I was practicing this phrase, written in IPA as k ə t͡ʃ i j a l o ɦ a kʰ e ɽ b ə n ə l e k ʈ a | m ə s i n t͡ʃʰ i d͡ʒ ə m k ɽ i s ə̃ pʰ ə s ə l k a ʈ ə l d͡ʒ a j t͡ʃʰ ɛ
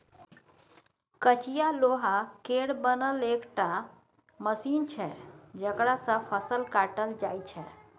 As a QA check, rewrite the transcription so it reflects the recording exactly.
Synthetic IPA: k ə t͡ʃ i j a l o ɦ a k e ɽ b ə n ə l e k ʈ a | m ə s i n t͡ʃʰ ɛ d͡ʒ ə k ɽ a s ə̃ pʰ ə s ə l k a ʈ ə l d͡ʒ a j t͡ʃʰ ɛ